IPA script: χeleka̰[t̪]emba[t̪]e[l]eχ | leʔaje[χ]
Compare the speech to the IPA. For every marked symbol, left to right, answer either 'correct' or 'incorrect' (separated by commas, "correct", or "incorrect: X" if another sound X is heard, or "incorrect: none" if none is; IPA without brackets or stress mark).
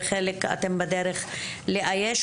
correct, incorrect: d̪, incorrect: ɾ, incorrect: ʃ